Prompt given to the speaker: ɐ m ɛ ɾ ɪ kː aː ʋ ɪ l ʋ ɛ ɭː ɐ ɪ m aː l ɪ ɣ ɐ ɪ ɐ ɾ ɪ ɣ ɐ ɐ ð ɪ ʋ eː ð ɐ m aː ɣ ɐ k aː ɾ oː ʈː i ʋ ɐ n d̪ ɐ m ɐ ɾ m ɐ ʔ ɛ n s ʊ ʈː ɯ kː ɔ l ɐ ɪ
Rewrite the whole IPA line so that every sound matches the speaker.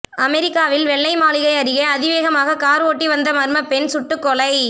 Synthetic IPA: ɐ m ɛ ɾ ɪ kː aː ʋ ɪ l ʋ ɛ ɭː ɐ ɪ m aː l ɪ ɣ ɐ ɪ ɐ ɾ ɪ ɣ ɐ ɐ ð ɪ ʋ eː ɣ ɐ m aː ɣ ɐ k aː ɾ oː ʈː i ʋ ɐ n d̪ ɐ m ɐ ɾ m ɐ p ɛ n s ʊ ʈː ɯ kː ɔ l ɐ ɪ

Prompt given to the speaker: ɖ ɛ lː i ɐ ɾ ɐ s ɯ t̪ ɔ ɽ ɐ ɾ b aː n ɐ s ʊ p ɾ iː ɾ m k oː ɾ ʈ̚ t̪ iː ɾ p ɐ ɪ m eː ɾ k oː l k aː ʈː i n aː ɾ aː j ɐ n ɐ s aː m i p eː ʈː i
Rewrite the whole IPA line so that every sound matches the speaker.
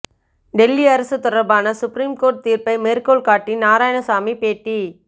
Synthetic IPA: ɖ ɛ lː i ɐ ɾ ɐ s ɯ t̪ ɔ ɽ ɐ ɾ b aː n ɐ s ʊ p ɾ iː m k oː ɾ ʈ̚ t̪ iː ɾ p ɐ ɪ m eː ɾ k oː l k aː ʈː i n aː ɾ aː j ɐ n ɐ s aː m i p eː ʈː i

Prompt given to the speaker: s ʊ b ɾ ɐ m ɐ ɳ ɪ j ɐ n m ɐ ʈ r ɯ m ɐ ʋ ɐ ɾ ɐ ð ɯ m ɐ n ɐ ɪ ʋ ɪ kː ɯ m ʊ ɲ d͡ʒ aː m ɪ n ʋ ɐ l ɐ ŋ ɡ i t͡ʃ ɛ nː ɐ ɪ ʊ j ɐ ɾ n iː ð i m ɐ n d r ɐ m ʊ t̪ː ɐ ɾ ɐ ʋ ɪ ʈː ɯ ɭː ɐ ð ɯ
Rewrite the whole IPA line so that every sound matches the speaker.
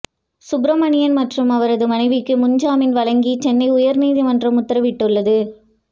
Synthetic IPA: s ʊ b ɾ ɐ m ɐ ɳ ɪ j ɐ n m ɐ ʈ r ɯ m ɐ ʋ ɐ ɾ ɐ ð ɯ m ɐ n ɐ ɪ ʋ ɪ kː ɯ m ʊ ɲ d͡ʒ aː m ɪ n ʋ ɐ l ɐ ŋ ɡ i t͡ʃ ɛ nː ɐ ɪ ʊ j ɐ ɾ n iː ð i m ɐ n d r ɐ m ʊ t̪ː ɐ ɾ ɐ ʋ ɪ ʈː ɯ ɭː ɐ ð ɯ

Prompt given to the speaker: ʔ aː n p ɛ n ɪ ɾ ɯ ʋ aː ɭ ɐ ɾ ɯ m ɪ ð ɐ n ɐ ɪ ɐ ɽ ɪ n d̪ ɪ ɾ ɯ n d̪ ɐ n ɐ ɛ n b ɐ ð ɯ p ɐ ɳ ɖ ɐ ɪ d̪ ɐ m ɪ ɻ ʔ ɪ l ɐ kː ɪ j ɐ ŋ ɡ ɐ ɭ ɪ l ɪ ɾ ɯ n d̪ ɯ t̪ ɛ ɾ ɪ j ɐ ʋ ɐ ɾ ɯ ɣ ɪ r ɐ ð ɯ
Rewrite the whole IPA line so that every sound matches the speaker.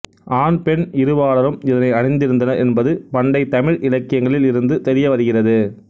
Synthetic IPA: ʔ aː n p ɛ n ɪ ɾ ɯ ʋ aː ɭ ɐ ɾ ɯ m ɪ ð ɐ n ɐ ɪ ɐ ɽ ɪ n d̪ ɪ ɾ ɯ n d̪ ɐ n ɐ ɛ n b ɐ ð ɯ p ɐ ɳ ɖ ɐ ɪ t̪ ɐ m ɪ ɻ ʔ ɪ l ɐ kː ɪ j ɐ ŋ ɡ ɐ ɭ ɪ l ɪ ɾ ɯ n d̪ ɯ t̪ ɛ ɾ ɪ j ɐ ʋ ɐ ɾ ɯ ɣ ɪ r ɐ ð ɯ

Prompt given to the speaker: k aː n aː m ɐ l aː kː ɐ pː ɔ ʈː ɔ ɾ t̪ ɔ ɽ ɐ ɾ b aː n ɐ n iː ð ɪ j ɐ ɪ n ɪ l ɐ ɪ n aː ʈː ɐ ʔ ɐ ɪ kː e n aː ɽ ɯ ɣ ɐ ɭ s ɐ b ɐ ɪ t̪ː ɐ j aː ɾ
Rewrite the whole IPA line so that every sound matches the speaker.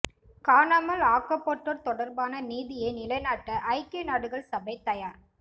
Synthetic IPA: k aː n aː m ɐ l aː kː ɐ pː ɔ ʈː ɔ ɾ t̪ ɔ ɽ ɐ ɾ b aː n ɐ n iː ð ɪ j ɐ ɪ n ɪ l ɐ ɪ n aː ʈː ɐ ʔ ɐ ɪ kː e n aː ɽ ɯ ɣ ɐ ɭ s ɐ b ɐ ɪ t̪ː ɐ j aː ɾ

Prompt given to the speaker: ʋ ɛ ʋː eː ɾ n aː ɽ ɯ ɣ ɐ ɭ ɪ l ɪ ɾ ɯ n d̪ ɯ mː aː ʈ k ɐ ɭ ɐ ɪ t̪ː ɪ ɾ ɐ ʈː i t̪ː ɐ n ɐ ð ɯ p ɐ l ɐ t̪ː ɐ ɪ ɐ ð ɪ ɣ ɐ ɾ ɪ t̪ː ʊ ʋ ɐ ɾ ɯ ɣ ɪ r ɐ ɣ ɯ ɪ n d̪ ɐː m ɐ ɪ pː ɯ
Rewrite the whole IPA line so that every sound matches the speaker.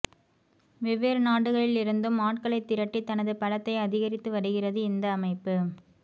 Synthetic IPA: ʋ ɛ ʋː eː ɾ n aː ɽ ɯ ɣ ɐ ɭ ɪ l ɪ ɾ ɯ n d̪ ɯ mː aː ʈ k ɐ ɭ ɐ ɪ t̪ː ɪ ɾ ɐ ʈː i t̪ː ɐ n ɐ ð ɯ p ɐ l ɐ t̪ː ɐ ɪ ɐ ð ɪ ɣ ɐ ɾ ɪ t̪ː ɯ ʋ ɐ ɽ ɯ ɣ ɪ r ɐ ð ɯ ɪ n d̪ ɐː m ɐ ɪ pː ɯ

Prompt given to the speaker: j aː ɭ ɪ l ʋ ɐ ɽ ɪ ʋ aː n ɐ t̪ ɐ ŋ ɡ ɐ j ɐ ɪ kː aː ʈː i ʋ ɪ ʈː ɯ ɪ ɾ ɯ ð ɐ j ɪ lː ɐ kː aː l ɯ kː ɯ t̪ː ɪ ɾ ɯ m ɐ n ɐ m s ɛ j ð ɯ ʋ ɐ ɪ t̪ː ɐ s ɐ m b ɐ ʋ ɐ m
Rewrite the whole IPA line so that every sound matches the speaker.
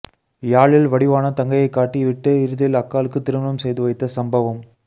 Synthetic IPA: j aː ɭ ɪ l ʋ ɐ ɽ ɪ ʋ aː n ɐ t̪ ɐ ŋ ɡ ɐ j ɐ ɪ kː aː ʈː i ʋ ɪ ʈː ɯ ɪ ɾ ɯ ð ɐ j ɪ l ɐ kː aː l ɯ kː ɯ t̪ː ɪ ɾ ɯ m ɐ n ɐ m s ɛ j ð ɯ ʋ ɐ ɪ t̪ː ɐ s ɐ m b ɐ ʋ ɐ m

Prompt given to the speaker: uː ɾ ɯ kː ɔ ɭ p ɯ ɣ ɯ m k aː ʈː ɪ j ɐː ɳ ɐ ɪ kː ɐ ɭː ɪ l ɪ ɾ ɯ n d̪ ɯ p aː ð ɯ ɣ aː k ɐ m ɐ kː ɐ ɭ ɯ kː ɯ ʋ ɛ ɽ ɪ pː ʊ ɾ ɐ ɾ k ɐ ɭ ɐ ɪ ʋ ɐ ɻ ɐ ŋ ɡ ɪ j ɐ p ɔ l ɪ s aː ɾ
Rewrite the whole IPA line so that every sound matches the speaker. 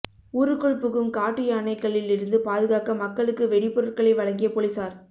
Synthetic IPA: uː ɾ ɯ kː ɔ ɭ p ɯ ɣ ɯ m k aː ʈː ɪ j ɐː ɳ ɐ ɪ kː ɐ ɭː ɪ l ɪ ɾ ɯ n d̪ ɯ p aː ð ɯ ɣ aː k ɐ m ɐ kː ɐ ɭ ɯ kː ɯ ʋ ɛ ɽ ɪ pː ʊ ɾ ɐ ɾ k ɐ ɭ ɐ ɪ ʋ ɐ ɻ ɐ ŋ ɡ ɪ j ɐ p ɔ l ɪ s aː ɾ

